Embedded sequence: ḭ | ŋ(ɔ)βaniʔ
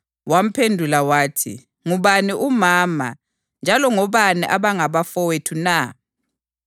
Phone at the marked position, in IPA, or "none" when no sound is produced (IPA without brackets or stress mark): u